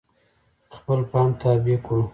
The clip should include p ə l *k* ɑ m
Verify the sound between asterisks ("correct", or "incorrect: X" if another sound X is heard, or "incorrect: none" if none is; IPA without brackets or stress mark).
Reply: incorrect: p